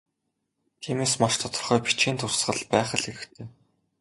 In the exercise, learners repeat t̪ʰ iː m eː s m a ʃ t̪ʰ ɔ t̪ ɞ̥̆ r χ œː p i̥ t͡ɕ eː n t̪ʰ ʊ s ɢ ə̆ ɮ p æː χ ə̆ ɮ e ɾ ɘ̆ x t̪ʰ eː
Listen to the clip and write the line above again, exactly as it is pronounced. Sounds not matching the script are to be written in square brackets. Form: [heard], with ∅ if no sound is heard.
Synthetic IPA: t̪ʰ iː m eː s m a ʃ t̪ʰ ɔ t̪ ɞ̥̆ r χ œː p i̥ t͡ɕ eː n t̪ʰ ʊ s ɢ ə̆ ɮ p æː χ ə̆ ɮ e ɾ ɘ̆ x t̪ʰ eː